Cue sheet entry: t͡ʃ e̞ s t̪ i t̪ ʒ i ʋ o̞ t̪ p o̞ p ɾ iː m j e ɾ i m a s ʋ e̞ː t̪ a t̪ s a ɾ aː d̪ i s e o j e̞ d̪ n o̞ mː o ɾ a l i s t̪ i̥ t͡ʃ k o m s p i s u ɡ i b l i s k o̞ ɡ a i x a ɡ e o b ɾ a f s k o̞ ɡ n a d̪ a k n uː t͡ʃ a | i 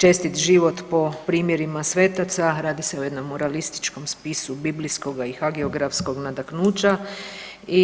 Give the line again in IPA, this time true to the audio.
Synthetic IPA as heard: t͡ʃ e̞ s t̪ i t̪ ʒ i ʋ o̞ t̪ p o̞ p ɾ iː m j e ɾ i m a s ʋ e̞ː t̪ a t̪ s a ɾ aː d̪ i s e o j e̞ d̪ n o̞ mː o ɾ a l i s t̪ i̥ t͡ʃ k o m s p i s u b i b l i s k o̞ ɡ a i x a ɡ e o ɡ ɾ a f s k o̞ ɡ n a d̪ a k n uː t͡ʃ a | i